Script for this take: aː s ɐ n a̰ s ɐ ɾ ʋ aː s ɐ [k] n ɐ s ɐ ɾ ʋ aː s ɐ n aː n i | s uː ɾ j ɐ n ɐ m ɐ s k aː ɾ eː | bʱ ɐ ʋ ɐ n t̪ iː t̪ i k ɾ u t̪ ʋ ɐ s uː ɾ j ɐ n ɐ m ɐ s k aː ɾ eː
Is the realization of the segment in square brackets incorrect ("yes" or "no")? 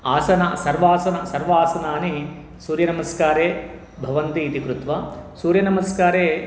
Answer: yes